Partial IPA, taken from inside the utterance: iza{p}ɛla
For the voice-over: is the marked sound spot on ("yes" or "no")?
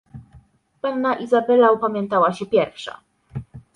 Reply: no